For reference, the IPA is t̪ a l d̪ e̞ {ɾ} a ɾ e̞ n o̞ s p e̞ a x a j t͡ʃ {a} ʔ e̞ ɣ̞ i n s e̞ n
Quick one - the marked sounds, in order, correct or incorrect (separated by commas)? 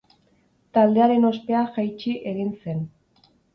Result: incorrect, incorrect